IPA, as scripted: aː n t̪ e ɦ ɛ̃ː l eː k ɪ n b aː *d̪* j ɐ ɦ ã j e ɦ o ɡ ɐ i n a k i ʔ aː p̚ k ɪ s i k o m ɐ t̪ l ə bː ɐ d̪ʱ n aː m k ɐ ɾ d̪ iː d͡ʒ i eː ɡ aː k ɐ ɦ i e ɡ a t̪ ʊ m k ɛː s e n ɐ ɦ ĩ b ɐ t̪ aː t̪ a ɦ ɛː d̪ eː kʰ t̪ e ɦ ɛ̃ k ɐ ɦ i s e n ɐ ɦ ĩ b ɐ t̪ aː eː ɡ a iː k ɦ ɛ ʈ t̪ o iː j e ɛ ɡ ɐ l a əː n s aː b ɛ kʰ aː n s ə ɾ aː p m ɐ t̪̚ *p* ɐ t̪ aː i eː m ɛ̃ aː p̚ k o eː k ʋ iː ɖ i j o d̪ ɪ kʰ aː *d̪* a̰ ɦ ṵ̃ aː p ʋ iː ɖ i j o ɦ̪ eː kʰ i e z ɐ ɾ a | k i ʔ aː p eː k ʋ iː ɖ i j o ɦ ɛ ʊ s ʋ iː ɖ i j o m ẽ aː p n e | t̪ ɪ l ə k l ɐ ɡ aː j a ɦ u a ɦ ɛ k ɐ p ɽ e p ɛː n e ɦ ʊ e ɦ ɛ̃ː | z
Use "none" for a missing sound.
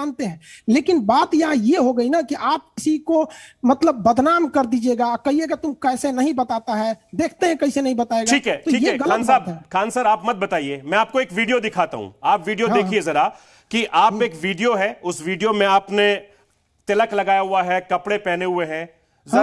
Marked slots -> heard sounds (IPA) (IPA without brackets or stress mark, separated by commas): t̪, b, t̪